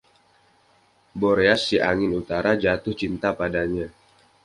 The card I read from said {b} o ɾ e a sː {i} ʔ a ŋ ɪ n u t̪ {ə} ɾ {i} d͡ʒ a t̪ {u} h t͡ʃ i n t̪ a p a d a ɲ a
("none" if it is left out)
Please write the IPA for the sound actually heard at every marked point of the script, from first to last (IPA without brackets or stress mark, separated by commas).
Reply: b, i, a, a, ʊ